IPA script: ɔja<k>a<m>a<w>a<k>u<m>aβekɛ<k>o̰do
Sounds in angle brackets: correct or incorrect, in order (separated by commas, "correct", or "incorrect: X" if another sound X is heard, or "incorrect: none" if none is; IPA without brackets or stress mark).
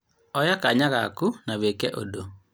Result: correct, incorrect: ɲ, incorrect: ɣ, correct, incorrect: n, incorrect: ʔ